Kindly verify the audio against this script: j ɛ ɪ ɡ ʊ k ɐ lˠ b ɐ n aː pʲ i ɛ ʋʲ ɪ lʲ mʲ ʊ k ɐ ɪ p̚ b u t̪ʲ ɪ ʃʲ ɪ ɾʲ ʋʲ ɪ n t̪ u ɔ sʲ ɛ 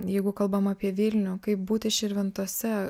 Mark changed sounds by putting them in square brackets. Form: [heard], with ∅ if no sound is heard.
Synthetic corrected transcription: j ɛ ɪ ɡ ʊ k ɐ lˠ b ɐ [m] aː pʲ i ɛ ʋʲ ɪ lʲ [nʲ] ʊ k ɐ ɪ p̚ b [uː] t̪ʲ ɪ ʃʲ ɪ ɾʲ ʋʲ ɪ n t̪ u ɔ sʲ ɛ